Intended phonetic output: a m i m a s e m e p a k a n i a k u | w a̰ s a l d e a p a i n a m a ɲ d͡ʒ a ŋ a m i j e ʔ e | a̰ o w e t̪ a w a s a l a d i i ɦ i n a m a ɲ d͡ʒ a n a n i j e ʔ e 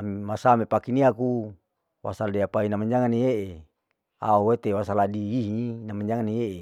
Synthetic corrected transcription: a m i m a s a m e p a k i n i a k u | w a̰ s a l d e a p a i n a m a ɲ d͡ʒ a ŋ a n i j e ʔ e | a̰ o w e t̪ e w a s a l a d i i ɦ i n a m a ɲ d͡ʒ a ŋ a n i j e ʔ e